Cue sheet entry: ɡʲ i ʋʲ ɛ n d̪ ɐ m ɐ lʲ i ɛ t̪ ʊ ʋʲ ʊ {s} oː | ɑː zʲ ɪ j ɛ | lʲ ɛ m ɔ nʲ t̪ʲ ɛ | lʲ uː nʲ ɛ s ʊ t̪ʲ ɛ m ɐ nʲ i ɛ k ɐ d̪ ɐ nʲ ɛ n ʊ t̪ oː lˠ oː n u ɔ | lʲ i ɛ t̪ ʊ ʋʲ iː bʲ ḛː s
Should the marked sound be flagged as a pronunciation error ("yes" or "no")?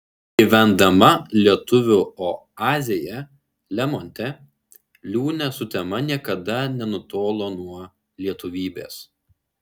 yes